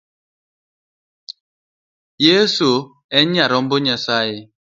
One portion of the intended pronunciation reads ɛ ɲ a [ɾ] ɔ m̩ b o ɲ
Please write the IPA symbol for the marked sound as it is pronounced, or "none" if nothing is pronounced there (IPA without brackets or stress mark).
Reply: ɾ